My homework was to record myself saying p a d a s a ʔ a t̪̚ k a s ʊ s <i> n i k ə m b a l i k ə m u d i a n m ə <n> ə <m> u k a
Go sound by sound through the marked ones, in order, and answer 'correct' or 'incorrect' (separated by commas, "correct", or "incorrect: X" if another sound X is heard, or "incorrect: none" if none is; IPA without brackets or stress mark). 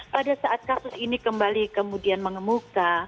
correct, incorrect: ŋ, correct